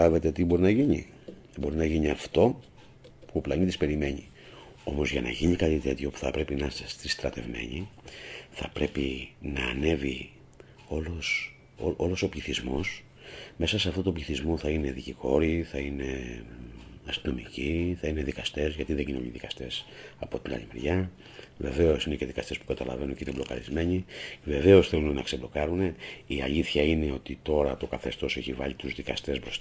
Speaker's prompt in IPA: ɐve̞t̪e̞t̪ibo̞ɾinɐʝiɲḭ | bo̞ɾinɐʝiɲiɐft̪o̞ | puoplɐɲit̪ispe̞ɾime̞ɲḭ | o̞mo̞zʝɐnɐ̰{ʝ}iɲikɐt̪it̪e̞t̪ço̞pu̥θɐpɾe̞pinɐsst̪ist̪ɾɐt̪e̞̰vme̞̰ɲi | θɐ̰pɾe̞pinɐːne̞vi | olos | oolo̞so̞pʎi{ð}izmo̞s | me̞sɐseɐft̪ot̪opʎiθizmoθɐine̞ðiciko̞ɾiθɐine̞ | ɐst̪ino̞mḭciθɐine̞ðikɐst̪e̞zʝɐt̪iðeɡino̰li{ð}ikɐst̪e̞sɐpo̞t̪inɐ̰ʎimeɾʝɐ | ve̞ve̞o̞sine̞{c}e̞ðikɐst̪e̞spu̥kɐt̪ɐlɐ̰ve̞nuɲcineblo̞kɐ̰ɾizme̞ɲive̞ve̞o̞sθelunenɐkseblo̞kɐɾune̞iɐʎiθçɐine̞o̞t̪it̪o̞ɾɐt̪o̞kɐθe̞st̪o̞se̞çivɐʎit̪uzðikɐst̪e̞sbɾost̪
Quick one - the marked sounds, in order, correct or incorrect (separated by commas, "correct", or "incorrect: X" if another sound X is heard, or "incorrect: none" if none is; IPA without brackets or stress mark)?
correct, incorrect: θ, correct, correct